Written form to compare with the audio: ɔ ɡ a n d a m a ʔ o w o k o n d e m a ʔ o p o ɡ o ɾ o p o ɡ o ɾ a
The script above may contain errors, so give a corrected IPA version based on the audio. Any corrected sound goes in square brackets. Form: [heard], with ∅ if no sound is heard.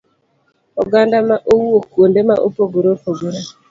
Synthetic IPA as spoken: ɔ ɡ a n d a m a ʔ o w o k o n d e m a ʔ o p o ɡ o ɾ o p o ɡ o ɾ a